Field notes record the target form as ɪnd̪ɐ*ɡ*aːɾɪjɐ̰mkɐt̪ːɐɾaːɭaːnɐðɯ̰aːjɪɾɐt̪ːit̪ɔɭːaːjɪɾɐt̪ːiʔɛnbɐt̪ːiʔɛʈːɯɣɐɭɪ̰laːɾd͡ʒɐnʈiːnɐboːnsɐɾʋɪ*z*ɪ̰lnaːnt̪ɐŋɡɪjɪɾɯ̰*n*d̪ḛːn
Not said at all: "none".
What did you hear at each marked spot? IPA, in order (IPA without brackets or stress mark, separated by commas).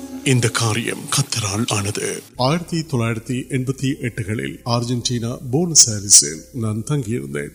k, s, n